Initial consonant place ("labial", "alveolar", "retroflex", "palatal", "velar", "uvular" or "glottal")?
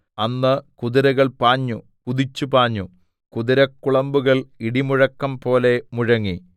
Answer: alveolar